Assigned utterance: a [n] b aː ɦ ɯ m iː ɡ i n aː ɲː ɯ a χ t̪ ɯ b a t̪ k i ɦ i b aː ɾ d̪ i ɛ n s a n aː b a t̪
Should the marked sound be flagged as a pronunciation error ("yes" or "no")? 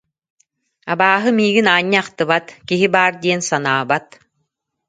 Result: yes